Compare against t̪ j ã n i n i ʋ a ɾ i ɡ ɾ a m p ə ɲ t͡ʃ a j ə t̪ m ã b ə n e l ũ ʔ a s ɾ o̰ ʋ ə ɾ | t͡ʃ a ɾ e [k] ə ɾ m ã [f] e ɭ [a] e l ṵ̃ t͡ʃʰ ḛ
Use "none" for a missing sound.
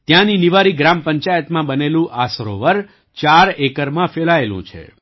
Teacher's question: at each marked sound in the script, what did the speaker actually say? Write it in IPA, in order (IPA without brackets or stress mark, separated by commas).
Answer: k, f, a